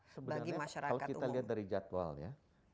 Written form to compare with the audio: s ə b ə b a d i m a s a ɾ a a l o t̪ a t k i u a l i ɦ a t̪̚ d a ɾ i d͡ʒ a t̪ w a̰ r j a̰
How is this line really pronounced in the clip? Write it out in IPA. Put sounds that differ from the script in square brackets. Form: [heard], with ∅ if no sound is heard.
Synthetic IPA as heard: s ə b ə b a [ɡ] i m a [ʃ] a ɾ a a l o [∅] a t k i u a l i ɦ a t̪̚ d a ɾ i d͡ʒ a t̪ w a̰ [l] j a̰